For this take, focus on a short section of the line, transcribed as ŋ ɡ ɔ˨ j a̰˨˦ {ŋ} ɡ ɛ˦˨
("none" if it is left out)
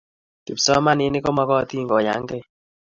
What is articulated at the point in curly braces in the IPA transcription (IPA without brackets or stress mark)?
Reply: ŋ